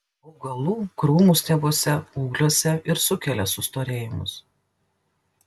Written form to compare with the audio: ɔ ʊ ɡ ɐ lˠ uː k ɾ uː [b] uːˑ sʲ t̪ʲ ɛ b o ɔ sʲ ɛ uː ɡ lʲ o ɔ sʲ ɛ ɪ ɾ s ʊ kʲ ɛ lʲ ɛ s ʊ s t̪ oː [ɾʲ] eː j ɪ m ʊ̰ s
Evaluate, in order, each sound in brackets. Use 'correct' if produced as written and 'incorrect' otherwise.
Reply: incorrect, correct

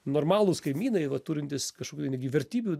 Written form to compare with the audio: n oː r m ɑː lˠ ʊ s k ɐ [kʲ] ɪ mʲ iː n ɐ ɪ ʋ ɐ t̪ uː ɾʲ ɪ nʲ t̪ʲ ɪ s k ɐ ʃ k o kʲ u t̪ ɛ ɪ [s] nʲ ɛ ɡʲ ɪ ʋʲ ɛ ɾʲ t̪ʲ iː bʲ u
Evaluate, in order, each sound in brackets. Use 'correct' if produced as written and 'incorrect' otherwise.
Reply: incorrect, incorrect

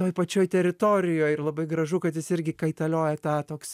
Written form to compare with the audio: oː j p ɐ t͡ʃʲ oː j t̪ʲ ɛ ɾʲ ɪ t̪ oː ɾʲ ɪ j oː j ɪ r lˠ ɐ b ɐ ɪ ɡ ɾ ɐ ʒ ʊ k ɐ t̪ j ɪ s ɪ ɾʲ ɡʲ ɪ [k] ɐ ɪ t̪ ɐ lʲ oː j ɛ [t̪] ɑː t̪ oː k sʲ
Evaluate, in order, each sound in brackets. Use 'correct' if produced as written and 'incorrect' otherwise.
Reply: correct, correct

